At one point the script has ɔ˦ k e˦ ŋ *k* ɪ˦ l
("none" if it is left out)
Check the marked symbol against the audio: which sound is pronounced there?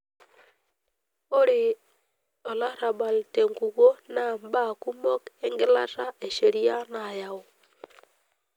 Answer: ɡ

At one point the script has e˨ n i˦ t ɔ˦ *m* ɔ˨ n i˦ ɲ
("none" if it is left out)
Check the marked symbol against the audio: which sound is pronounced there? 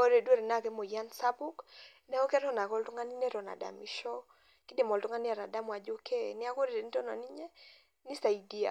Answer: n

